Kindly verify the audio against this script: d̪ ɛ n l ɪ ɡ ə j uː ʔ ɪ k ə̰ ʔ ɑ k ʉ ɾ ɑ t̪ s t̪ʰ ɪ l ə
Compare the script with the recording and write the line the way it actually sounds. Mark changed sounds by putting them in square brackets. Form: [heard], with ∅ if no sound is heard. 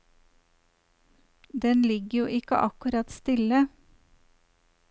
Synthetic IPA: d̪ ɛ n l ɪ ɡ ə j uː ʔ ɪ k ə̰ ʔ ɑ k ʉ ɾ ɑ t̪ s [t̪] ɪ l ə